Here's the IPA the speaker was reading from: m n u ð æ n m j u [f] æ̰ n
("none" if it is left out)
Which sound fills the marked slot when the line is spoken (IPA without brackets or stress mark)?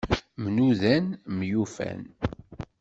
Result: f